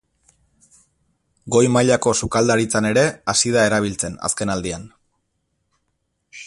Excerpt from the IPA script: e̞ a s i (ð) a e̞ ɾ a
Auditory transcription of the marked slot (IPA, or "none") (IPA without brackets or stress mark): ð